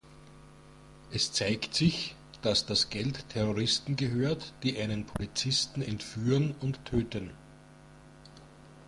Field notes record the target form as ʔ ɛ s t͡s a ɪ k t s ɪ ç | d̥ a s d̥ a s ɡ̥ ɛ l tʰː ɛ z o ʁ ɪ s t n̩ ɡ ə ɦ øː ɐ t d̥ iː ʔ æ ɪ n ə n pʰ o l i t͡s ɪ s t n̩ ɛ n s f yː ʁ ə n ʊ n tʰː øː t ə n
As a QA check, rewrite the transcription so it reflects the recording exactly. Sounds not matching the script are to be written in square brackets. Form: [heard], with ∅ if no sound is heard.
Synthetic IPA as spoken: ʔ ɛ s t͡s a ɪ k t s ɪ ç | d̥ a s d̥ a s ɡ̥ ɛ l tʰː ɛ [ʁ] o ʁ ɪ s t n̩ ɡ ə ɦ øː ɐ t d̥ iː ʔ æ ɪ n ə n pʰ o l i t͡s ɪ s t n̩ ɛ n [t] f yː ʁ ə n ʊ n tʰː øː t ə n